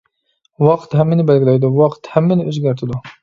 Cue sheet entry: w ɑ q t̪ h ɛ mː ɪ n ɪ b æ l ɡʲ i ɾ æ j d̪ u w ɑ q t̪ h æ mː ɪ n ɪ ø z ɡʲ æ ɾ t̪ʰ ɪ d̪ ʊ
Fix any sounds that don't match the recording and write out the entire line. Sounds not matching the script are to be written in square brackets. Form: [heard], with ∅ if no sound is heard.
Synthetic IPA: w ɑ q t̪ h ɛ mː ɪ n ɪ b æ l ɡʲ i [l] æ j d̪ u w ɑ q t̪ h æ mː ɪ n ɪ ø z ɡʲ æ ɾ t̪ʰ ɪ d̪ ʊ